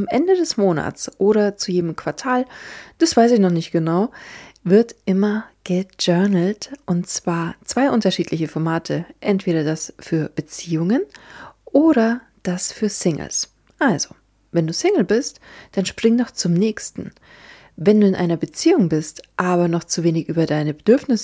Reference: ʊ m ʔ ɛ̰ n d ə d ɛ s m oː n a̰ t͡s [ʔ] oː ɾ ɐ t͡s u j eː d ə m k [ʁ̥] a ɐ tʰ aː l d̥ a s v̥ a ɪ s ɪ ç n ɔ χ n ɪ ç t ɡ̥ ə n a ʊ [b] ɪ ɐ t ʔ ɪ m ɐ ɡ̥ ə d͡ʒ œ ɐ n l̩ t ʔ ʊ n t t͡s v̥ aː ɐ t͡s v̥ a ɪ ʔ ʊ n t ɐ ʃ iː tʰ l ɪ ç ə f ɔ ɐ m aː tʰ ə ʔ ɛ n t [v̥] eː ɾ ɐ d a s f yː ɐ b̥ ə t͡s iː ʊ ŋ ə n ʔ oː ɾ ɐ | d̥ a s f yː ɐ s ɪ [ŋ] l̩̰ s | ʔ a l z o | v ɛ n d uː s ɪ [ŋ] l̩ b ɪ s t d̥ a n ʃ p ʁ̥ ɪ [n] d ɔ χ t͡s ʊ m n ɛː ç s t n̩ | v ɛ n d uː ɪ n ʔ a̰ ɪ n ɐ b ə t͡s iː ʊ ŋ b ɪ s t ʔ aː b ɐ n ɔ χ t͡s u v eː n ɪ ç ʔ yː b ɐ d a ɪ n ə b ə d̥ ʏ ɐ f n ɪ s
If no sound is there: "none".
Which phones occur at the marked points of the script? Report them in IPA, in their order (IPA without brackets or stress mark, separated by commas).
ʔ, v̥, v, v̥, ŋ, ŋ, ŋ